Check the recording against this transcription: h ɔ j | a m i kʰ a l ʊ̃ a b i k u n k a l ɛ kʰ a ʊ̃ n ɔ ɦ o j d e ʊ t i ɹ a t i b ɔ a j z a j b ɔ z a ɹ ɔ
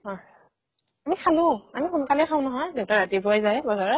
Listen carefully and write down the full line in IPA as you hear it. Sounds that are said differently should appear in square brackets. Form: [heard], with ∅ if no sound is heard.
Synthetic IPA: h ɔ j | a m i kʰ a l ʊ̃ a [m] i [x] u n k a l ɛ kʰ a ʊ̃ n ɔ ɦ [ɔ] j d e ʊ t [a] ɹ a t i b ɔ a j z a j b ɔ z a ɹ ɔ